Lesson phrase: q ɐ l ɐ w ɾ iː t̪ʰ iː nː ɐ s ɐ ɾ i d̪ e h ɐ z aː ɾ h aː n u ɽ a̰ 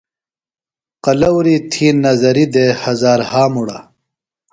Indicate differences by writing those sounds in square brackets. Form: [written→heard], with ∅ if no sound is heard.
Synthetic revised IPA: q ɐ l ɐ w ɾ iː t̪ʰ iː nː ɐ [s→z] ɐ ɾ i d̪ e h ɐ z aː ɾ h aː [n→m] u ɽ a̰